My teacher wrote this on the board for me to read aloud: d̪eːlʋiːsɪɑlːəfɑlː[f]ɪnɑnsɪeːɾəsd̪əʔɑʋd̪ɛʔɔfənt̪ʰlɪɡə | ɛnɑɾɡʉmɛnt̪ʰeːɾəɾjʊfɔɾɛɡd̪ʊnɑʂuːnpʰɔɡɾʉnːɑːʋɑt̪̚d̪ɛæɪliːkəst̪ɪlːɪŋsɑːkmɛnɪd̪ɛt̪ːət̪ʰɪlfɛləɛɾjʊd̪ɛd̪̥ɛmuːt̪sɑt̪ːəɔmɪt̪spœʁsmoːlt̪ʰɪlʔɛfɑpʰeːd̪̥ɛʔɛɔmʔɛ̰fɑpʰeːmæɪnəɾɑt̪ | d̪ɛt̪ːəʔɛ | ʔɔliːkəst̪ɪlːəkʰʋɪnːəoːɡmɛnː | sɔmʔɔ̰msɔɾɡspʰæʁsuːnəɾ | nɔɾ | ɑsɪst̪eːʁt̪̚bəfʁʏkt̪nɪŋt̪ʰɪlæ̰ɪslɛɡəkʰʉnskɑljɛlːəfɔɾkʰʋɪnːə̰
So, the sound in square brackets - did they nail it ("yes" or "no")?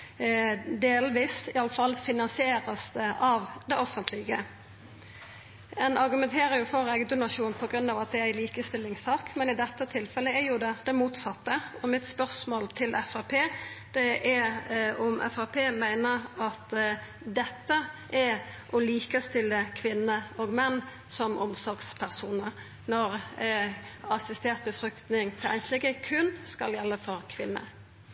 yes